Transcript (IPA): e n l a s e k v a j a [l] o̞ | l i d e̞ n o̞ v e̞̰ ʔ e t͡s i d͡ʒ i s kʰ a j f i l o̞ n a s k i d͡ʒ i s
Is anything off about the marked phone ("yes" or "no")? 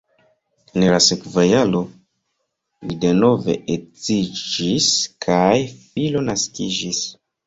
no